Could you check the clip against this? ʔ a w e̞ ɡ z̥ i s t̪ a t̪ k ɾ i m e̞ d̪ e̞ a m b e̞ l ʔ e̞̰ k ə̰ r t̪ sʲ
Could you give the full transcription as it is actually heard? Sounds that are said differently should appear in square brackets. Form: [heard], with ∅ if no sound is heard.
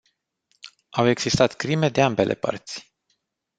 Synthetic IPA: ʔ a w e̞ ɡ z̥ i s t̪ a t̪ k ɾ i m e̞ d̪ e̞ a m b e̞ l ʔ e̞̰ [p] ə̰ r t̪ sʲ